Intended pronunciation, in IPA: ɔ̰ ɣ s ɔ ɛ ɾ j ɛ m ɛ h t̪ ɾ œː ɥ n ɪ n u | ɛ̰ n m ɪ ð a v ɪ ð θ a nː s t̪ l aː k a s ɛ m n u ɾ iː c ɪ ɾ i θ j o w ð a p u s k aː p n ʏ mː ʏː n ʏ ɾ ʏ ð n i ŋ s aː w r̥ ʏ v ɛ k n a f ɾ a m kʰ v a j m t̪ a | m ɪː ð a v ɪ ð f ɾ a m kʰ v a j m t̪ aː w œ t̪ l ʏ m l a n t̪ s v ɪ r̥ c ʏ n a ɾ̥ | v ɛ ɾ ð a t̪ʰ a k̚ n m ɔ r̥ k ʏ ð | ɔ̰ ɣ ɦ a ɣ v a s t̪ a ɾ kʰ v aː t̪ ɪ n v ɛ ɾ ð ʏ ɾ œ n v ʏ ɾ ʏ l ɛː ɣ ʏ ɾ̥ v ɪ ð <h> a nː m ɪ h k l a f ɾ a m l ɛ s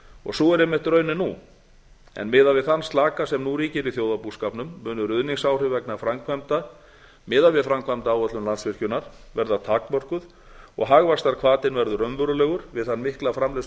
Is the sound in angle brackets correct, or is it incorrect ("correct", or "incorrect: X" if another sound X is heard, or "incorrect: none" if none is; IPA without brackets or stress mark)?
incorrect: θ